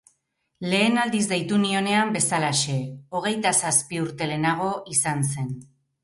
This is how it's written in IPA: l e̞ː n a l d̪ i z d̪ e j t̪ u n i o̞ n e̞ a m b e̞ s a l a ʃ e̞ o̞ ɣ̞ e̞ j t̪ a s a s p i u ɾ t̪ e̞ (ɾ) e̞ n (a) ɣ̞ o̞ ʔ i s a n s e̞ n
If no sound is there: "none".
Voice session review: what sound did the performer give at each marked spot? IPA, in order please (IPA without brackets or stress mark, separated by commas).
l, a